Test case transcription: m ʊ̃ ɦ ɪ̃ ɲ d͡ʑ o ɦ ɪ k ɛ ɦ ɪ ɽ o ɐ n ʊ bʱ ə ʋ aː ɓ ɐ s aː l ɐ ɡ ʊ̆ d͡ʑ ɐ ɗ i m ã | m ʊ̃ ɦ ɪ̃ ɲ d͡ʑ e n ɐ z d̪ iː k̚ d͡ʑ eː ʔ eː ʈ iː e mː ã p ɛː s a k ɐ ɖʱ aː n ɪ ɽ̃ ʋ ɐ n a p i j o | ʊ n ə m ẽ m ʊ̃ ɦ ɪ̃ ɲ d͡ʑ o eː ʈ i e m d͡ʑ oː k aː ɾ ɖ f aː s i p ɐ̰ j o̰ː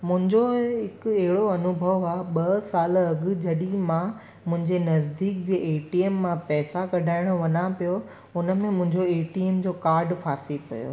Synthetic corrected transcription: m ʊ̃ ɦ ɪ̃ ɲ d͡ʑ o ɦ ɪ k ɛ ɦ ɪ ɽ o ɐ n ʊ bʱ ə ʋ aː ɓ ɐ s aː l ɐ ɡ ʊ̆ d͡ʑ ɐ ɗ i m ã | m ʊ̃ ɦ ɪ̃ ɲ d͡ʑ e n ɐ z d̪ iː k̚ d͡ʑ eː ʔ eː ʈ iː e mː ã p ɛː s a k ɐ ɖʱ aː ɪ ɽ̃ ʋ ɐ n a p i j o | ʊ n ə m ẽ m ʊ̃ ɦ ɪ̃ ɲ d͡ʑ o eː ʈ i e m d͡ʑ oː k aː ɾ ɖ f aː s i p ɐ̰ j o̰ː